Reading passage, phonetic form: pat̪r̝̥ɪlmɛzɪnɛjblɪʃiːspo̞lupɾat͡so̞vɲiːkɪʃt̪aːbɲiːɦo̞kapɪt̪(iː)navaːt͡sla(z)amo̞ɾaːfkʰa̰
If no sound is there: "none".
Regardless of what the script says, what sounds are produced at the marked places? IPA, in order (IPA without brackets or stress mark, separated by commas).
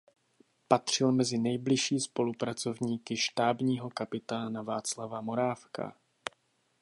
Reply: aː, v